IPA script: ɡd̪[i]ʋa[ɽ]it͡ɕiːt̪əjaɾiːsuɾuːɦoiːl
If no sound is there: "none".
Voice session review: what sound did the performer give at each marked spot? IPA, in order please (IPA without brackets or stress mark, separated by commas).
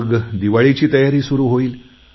i, ɭ